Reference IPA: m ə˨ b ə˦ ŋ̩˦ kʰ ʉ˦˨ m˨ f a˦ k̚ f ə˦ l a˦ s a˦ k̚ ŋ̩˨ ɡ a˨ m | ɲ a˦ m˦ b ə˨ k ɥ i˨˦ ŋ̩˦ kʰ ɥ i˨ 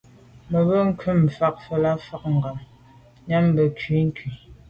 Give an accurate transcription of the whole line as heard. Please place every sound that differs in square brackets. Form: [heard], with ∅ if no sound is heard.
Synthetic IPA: m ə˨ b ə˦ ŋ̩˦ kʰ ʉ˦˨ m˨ f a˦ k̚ f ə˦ l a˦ [f] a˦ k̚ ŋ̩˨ ɡ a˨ m | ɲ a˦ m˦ b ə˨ k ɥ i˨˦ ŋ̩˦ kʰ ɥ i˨